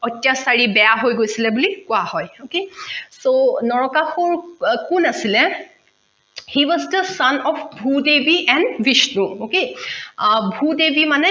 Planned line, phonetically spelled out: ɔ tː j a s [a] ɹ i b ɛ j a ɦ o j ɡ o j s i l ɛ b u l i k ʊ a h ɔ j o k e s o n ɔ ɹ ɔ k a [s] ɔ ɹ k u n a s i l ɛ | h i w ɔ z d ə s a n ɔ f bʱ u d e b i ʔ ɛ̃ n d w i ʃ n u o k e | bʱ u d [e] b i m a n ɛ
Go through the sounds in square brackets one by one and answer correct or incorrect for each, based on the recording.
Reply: correct, incorrect, correct

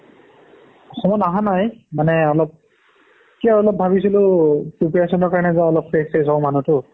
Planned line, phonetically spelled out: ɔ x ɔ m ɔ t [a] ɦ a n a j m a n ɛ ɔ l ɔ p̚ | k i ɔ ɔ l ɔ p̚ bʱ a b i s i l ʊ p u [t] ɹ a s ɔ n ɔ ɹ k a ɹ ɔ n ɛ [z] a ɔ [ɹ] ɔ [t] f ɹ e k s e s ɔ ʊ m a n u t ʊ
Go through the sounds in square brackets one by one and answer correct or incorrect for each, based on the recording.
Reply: correct, incorrect, correct, incorrect, incorrect

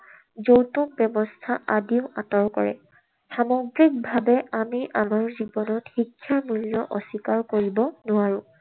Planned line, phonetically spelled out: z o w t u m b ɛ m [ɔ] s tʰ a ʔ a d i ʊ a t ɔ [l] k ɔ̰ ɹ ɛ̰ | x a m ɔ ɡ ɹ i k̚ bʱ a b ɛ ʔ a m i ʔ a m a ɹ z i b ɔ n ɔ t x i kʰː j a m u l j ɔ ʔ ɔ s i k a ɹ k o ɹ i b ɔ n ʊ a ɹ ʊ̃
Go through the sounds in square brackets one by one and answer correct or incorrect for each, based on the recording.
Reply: correct, incorrect

